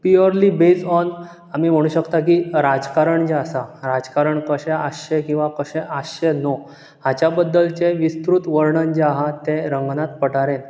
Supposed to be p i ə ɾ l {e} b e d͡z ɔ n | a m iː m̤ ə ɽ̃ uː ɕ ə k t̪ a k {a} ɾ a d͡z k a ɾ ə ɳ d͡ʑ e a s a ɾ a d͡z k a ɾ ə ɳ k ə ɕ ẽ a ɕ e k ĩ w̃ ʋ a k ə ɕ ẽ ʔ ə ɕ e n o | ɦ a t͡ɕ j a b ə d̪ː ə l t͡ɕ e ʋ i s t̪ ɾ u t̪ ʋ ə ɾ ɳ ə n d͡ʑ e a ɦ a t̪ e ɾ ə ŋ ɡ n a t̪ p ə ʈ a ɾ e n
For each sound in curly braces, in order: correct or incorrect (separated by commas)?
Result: incorrect, incorrect